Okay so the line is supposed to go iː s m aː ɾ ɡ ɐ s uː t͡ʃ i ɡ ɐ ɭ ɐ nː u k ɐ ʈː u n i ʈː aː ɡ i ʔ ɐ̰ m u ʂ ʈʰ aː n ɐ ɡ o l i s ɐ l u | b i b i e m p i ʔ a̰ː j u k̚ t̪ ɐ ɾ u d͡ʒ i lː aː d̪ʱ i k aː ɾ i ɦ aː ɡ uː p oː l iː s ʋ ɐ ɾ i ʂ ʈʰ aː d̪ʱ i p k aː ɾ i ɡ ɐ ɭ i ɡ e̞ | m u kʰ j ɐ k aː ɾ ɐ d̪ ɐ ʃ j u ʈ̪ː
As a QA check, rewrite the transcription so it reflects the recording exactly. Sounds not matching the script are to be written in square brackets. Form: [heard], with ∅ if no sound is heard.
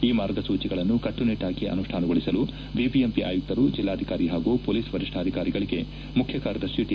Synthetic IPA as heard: iː [∅] m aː ɾ ɡ ɐ s uː t͡ʃ i ɡ ɐ ɭ ɐ nː u k ɐ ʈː u n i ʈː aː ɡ i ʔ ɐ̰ [n] u ʂ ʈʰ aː n ɐ ɡ o [ɭ] i s ɐ l u | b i b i e m p i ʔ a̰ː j u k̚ t̪ ɐ ɾ u d͡ʒ i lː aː d̪ʱ i k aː ɾ i ɦ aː ɡ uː p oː l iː s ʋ ɐ ɾ i ʂ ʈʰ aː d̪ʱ i [∅] k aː ɾ i ɡ ɐ ɭ i ɡ e̞ | m u kʰ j ɐ k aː ɾ ɐ d̪ ɐ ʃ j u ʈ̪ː

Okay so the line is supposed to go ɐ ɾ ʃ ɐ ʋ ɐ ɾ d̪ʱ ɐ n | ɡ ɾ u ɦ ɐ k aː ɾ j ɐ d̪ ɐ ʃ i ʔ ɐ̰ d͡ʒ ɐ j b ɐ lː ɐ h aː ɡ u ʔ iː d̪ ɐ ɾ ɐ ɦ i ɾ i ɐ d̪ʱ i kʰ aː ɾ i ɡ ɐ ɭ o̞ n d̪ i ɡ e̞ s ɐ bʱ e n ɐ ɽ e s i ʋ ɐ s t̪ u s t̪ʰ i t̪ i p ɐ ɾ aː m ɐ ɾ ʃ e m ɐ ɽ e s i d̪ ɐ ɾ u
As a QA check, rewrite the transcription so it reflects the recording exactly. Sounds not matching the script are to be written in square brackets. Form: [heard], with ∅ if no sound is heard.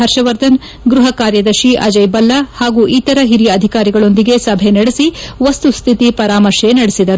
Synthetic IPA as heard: ɐ ɾ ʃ ɐ ʋ ɐ ɾ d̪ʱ ɐ n | ɡ ɾ u ɦ ɐ k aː ɾ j ɐ d̪ ɐ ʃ i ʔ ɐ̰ d͡ʒ ɐ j b ɐ lː ɐ h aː ɡ u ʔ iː [t̪] ɐ ɾ ɐ ɦ i ɾ i ɐ d̪ʱ i [k] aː ɾ i ɡ ɐ ɭ o̞ n d̪ i ɡ e̞ s ɐ bʱ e n ɐ ɽ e s i ʋ ɐ s t̪ u s t̪ʰ i t̪ i p ɐ ɾ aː m ɐ ɾ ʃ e [n] ɐ ɽ e s i d̪ ɐ ɾ u

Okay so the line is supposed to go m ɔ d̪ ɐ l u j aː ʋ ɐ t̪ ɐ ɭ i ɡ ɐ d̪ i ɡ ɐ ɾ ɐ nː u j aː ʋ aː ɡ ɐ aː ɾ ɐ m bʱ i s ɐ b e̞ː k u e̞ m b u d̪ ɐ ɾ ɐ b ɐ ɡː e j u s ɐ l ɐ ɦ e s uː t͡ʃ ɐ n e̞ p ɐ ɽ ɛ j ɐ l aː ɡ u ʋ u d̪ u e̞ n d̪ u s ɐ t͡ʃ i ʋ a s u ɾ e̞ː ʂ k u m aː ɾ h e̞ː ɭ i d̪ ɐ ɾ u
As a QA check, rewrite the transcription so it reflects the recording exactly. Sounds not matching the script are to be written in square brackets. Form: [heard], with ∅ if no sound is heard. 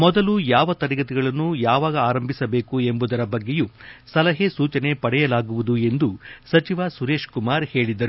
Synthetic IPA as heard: m ɔ d̪ ɐ l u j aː ʋ ɐ t̪ ɐ [ɾ] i ɡ ɐ [t̪] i ɡ ɐ [ɭ] ɐ nː u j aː ʋ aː ɡ ɐ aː ɾ ɐ m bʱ i s ɐ b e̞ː k u e̞ m b u d̪ ɐ ɾ ɐ b ɐ ɡː e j u s ɐ l ɐ ɦ e s uː t͡ʃ ɐ n e̞ p ɐ ɽ ɛ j ɐ l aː ɡ u ʋ u d̪ u e̞ n d̪ u s ɐ t͡ʃ i ʋ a s u ɾ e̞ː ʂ k u m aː ɾ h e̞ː ɭ i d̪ ɐ ɾ u

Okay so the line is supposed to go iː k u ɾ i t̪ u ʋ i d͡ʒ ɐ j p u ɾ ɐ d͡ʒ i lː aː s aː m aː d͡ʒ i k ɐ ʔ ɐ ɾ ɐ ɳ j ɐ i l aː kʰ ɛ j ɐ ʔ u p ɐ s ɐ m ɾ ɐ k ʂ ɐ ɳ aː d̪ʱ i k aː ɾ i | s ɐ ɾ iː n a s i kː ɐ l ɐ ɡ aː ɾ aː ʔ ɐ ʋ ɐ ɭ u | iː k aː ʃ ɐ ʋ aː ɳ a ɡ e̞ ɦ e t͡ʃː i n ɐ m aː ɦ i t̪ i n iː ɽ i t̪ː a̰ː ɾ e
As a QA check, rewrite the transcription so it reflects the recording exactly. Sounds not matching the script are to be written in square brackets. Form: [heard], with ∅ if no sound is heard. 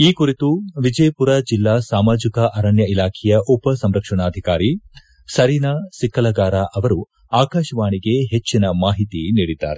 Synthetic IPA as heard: iː k u ɾ i t̪ u ʋ i d͡ʒ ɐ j p u ɾ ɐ d͡ʒ i lː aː s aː m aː d͡ʒ i k ɐ ʔ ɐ ɾ ɐ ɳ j ɐ i l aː kʰ ɛ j ɐ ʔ u p ɐ s ɐ m ɾ ɐ k ʂ ɐ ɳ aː d̪ʱ i k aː ɾ i | s ɐ ɾ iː n a s i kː ɐ l ɐ ɡ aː ɾ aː ʔ ɐ ʋ ɐ [ɾ] u | [aː] k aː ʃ ɐ ʋ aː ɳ [i] ɡ e̞ ɦ e t͡ʃː i n ɐ m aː ɦ i t̪ i n iː ɽ i [d̪ː] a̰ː ɾ e

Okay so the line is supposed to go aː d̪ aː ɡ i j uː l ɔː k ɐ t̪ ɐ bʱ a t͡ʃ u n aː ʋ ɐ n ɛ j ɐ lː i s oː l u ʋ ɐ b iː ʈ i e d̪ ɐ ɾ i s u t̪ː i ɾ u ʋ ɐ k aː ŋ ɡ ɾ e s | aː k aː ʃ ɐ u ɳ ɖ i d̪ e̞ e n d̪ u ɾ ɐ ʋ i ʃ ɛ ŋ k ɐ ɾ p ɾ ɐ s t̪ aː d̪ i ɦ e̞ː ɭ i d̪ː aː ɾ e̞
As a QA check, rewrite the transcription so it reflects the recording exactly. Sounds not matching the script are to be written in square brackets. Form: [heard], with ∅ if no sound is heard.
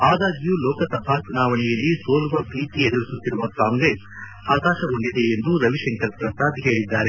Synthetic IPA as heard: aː d̪ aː ɡ i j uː l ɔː k ɐ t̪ ɐ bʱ a t͡ʃ u n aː ʋ ɐ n ɛ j ɐ lː i s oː l u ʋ ɐ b iː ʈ i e d̪ ɐ ɾ i s u t̪ː i ɾ u ʋ ɐ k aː ŋ ɡ ɾ e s | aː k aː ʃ ɐ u ɳ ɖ i d̪ e̞ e n d̪ u ɾ ɐ ʋ i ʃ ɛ ŋ k ɐ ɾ p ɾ ɐ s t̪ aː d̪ i ɦ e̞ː ɭ i d̪ː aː ɾ e̞

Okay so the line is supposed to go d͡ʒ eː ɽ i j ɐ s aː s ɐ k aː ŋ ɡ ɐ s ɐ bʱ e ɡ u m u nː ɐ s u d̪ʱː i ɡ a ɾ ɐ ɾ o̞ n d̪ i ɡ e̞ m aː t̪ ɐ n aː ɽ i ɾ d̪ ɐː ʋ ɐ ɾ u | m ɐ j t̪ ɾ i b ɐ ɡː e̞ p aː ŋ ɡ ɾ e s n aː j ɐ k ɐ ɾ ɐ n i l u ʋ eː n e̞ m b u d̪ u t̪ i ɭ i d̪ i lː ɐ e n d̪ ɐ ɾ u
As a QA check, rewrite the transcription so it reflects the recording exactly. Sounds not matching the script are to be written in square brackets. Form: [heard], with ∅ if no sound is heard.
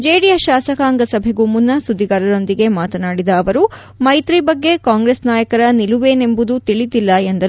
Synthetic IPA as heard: d͡ʒ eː ɽ i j ɐ [ʃ] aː s ɐ k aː ŋ ɡ ɐ s ɐ bʱ e ɡ u m u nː ɐ s u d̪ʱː i ɡ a ɾ ɐ ɾ o̞ n d̪ i ɡ e̞ m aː t̪ ɐ n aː ɽ i [∅] d̪ ɐː ʋ ɐ ɾ u | m ɐ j t̪ ɾ i b ɐ ɡː e̞ [k] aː ŋ ɡ ɾ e s n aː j ɐ k ɐ ɾ ɐ n i l u ʋ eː n e̞ m b u d̪ u t̪ i ɭ i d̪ i lː ɐ e n d̪ ɐ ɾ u

